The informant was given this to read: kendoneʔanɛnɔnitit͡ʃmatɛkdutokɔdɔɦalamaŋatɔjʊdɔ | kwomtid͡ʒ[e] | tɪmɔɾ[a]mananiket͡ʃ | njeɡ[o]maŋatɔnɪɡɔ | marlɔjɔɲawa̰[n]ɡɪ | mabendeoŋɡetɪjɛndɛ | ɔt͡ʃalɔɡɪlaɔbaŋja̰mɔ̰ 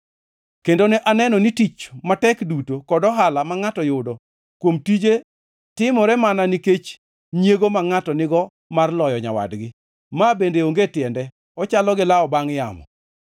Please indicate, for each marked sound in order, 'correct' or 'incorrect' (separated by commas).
correct, incorrect, correct, incorrect